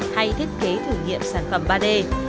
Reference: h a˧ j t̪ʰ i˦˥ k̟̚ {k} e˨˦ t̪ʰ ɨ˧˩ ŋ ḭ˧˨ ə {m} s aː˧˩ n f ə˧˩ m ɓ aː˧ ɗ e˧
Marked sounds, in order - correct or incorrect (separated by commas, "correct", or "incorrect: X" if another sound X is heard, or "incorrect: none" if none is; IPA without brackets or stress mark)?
correct, correct